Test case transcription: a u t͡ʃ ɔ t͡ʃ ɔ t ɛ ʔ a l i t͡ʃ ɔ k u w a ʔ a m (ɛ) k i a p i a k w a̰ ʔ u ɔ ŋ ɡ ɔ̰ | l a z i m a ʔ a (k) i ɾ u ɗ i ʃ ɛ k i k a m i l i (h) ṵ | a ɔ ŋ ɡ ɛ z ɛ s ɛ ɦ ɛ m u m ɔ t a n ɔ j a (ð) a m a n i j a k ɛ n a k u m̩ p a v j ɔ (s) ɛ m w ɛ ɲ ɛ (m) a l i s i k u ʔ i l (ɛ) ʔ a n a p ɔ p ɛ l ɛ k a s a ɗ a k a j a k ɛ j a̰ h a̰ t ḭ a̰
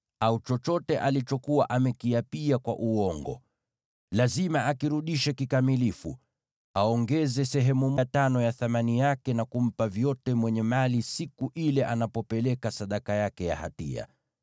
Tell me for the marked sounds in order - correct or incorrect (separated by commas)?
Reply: correct, correct, incorrect, incorrect, incorrect, correct, correct